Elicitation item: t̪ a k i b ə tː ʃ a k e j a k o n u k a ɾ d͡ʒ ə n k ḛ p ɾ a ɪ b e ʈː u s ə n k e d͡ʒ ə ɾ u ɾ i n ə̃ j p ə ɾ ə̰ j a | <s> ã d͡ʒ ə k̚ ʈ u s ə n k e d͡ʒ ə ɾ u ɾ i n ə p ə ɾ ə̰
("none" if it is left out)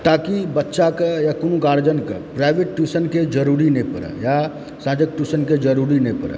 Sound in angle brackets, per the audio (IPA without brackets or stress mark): s